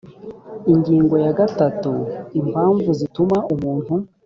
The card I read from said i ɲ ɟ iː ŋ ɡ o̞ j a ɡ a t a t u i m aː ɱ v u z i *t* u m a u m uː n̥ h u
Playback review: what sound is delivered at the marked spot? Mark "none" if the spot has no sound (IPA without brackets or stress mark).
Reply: t